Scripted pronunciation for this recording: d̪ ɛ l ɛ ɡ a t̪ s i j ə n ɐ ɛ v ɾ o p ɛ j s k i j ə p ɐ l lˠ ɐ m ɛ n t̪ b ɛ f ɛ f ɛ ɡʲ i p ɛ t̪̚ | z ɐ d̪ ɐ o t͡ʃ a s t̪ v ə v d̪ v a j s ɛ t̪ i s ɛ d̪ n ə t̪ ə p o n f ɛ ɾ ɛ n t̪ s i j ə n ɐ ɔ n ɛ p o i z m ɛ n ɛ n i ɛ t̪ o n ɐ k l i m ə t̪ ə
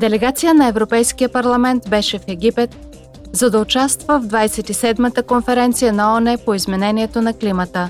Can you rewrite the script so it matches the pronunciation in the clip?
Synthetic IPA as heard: d̪ ɛ l ɛ ɡ a t̪ s i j ə n ɐ ɛ v ɾ o p ɛ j s k i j ə p ɐ ɾ lˠ ɐ m ɛ n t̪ b ɛ ʃ ɛ f ɛ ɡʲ i p ɛ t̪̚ | z ɐ d̪ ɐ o t͡ʃ a s t̪ v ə v d̪ v a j s ɛ t̪ i s ɛ d̪ m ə t̪ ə k o n f ɛ ɾ ɛ n t̪ s i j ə n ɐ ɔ n ɛ p o i z m ɛ n ɛ n i ɛ t̪ o n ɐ k l i m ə t̪ ə